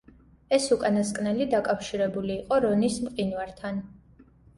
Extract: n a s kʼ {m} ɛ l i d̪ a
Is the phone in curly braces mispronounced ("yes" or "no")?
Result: yes